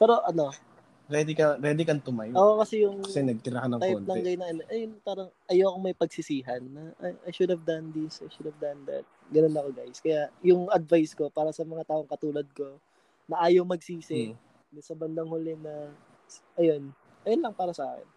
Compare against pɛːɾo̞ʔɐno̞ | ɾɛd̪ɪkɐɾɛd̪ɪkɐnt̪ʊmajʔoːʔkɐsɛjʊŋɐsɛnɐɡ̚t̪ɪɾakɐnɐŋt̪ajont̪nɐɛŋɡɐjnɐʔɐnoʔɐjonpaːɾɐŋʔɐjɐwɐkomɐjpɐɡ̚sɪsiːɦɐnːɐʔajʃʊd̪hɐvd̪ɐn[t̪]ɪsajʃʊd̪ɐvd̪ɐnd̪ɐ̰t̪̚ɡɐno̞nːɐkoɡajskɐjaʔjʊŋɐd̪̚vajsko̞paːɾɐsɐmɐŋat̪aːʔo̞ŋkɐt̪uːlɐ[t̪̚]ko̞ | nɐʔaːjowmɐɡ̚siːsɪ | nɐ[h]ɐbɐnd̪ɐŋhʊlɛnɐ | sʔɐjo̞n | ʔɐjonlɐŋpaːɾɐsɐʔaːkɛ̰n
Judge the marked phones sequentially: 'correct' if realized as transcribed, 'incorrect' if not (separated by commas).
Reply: incorrect, incorrect, incorrect